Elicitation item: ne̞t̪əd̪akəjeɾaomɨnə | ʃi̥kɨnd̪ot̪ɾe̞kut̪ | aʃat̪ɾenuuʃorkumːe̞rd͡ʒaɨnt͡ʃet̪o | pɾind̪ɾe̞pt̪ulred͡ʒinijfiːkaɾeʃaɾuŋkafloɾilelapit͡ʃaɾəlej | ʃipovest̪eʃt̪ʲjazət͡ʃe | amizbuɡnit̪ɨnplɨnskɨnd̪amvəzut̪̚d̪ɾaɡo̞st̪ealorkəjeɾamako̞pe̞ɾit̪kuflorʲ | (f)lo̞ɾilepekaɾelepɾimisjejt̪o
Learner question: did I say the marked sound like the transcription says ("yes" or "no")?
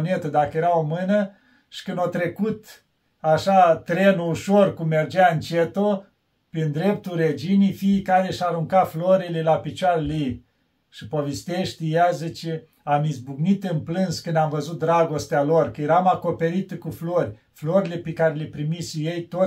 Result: yes